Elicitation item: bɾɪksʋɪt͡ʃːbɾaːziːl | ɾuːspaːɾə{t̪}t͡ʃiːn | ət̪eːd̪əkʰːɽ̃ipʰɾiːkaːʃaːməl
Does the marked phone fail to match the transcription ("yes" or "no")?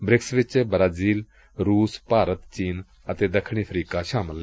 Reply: no